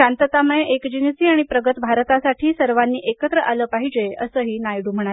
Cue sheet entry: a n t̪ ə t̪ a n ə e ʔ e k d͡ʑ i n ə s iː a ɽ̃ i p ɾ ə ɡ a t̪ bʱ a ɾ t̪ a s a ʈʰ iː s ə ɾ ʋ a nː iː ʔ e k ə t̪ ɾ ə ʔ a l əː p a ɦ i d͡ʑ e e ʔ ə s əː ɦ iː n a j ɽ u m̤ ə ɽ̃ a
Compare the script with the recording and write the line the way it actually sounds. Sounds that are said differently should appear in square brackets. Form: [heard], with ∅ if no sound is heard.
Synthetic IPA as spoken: a n t̪ ə t̪ a [m] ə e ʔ e k d͡ʑ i n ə s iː a ɽ̃ i p ɾ ə ɡ [ə] t̪ bʱ a ɾ t̪ a s a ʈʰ iː s ə ɾ ʋ a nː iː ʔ e k ə t̪ ɾ ə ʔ a l əː p a ɦ i d͡ʑ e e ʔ ə s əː ɦ iː n a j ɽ u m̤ ə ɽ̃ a